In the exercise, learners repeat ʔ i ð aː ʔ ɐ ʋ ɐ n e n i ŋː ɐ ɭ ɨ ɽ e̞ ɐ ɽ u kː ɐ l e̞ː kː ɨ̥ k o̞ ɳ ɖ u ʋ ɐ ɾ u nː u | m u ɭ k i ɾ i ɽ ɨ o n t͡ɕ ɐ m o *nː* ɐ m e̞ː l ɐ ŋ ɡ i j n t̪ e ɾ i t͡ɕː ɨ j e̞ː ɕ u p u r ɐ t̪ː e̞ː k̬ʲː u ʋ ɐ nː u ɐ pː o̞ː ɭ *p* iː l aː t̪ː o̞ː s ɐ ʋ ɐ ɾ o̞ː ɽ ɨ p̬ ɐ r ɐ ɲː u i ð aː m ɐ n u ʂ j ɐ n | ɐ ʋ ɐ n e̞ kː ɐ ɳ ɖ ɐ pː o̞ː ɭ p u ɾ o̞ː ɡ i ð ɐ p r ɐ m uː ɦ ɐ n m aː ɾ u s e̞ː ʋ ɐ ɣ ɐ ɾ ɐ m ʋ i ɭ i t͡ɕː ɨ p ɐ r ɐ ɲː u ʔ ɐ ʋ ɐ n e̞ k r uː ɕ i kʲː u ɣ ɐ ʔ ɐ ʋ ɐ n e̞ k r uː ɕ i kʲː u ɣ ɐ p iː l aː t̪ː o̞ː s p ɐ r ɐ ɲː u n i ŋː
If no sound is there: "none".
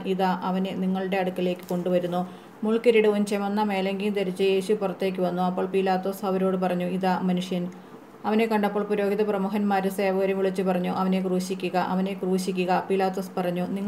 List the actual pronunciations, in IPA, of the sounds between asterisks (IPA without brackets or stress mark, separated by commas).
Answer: nː, p